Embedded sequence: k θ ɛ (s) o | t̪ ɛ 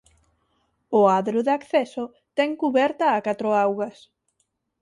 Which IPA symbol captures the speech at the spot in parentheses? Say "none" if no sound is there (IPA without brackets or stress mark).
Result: s